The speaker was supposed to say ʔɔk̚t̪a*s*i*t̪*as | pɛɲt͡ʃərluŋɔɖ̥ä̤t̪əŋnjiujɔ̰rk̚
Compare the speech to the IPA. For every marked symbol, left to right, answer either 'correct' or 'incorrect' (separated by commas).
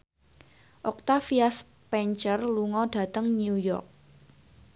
incorrect, incorrect